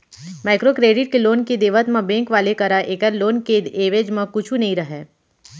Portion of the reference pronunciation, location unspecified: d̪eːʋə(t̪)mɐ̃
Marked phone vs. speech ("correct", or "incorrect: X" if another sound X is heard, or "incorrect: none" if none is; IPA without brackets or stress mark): correct